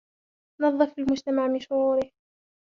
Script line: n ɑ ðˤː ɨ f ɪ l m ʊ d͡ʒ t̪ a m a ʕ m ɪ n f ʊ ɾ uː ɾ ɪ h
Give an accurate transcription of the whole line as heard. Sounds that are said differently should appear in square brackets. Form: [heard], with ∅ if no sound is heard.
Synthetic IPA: n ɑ ðˤː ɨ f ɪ l m ʊ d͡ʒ t̪ a m a ʕ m ɪ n [ʃ] ʊ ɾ uː ɾ ɪ h